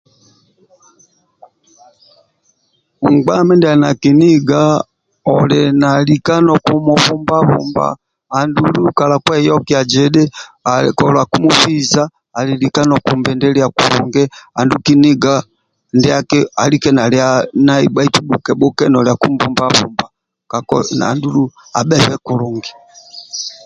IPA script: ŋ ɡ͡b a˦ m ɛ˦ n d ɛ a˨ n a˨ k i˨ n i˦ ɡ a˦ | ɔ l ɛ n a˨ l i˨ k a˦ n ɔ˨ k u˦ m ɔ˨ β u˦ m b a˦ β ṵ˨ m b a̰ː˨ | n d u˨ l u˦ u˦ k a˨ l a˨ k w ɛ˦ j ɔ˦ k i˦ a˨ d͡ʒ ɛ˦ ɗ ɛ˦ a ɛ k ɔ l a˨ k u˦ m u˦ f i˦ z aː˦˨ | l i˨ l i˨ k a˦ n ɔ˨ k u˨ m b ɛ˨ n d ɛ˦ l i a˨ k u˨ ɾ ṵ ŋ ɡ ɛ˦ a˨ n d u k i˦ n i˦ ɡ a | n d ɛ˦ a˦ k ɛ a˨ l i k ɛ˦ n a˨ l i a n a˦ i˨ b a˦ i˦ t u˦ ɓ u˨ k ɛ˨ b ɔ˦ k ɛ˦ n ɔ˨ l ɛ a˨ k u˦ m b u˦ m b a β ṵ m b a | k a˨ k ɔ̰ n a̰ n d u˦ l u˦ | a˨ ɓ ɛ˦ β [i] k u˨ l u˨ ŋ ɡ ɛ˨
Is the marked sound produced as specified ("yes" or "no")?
no